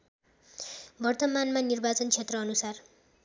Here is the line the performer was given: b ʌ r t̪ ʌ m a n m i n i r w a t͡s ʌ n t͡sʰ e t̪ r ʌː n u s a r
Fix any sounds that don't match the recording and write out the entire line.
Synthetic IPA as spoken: b ʌ r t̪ ʌ m a n m a n i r b a t͡s ʌ n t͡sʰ e t̪ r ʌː n u s a r

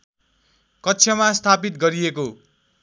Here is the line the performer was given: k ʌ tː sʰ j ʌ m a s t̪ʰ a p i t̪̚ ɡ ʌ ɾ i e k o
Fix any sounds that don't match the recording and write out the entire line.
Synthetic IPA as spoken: k ʌ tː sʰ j ʌ m a s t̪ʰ a p i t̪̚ ɡ ʌ ɾ i e k o

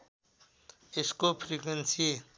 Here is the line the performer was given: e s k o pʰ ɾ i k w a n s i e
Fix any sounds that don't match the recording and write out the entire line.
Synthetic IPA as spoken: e s k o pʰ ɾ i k w e n s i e

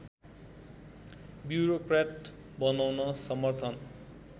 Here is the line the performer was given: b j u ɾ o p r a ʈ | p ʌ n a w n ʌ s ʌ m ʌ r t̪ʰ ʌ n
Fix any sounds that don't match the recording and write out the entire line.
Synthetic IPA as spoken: b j u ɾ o k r a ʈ | b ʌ n a w n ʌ s ʌ m ʌ r t̪ʰ ʌ n

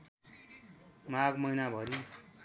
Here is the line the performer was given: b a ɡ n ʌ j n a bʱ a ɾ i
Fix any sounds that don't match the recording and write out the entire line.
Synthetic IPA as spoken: m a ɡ m ʌ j n a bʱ ʌ ɾ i

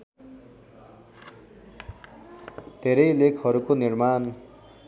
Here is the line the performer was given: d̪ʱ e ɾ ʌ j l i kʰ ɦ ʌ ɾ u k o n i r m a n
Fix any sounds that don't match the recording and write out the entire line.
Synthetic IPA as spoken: d̪ʱ e ɾ ʌ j l e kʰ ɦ ʌ ɾ u k o n i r m a n

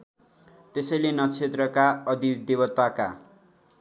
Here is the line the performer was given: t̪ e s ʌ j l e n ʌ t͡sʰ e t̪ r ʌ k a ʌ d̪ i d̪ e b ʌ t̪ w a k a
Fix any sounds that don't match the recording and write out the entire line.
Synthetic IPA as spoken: t̪ e s ʌ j l e n ʌ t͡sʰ e t̪ r ʌ k a ʌ d̪ i d̪ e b ʌ t̪ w a k a

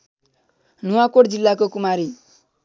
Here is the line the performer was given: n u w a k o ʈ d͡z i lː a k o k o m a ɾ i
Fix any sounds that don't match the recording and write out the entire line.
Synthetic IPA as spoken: n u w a k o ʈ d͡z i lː a k o k u m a ɾ i

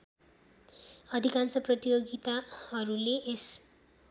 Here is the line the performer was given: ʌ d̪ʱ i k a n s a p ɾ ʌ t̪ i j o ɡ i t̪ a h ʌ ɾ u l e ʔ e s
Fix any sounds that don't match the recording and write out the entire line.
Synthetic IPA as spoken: ʌ d̪ʱ i k a n s ʌ p r ʌ t̪ i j o ɡ i t̪ a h ʌ ɾ u l e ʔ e s

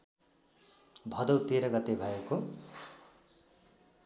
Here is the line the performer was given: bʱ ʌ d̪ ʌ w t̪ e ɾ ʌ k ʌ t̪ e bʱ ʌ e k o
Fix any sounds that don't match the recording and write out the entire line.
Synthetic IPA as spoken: bʱ ʌ d̪ ʌ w t̪ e ɾ ʌ ɡ ʌ t̪ e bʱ ʌ e k o

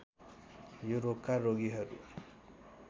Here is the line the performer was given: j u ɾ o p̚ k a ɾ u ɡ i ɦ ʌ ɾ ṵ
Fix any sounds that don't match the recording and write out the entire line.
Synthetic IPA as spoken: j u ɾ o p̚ k a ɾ o ɡ i ɦ ʌ ɾ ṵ

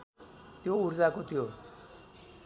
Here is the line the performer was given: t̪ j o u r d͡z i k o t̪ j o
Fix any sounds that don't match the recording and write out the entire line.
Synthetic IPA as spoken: t̪ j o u ɾ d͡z a k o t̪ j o

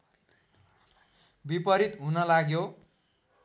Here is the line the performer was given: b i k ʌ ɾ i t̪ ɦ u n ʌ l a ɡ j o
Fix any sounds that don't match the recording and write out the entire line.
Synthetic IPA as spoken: b i p ʌ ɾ i t̪ ɦ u n ʌ l a ɡ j o

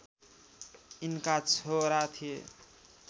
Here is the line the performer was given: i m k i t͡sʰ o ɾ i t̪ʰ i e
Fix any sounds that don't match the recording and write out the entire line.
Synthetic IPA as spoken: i n k a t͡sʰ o ɾ a t̪ʰ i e

